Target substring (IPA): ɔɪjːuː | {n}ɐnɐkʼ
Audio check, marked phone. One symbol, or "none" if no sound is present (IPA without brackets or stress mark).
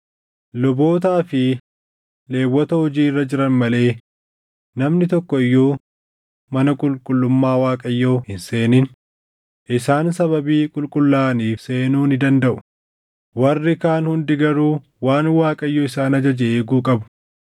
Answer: m